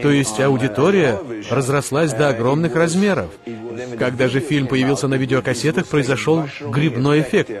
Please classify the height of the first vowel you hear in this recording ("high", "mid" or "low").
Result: mid